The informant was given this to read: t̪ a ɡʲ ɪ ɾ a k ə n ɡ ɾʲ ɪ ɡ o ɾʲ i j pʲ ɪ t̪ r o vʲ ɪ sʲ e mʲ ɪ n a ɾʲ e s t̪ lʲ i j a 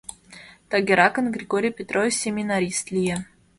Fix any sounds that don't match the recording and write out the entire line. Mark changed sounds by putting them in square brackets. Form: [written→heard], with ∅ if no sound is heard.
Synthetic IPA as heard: t̪ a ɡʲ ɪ ɾ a k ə n ɡ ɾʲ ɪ ɡ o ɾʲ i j pʲ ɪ t̪ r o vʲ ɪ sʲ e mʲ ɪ n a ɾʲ [e→i] s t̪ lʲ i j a